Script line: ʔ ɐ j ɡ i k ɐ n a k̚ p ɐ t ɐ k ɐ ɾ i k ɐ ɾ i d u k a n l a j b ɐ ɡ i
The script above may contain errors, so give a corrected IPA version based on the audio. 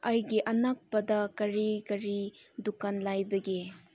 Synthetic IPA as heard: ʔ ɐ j ɡ i ʔ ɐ n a k̚ p ɐ d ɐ k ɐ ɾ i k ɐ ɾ i d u k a n l a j b ɐ ɡ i